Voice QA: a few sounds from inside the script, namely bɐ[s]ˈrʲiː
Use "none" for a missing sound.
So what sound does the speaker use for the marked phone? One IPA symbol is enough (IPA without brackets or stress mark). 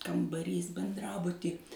none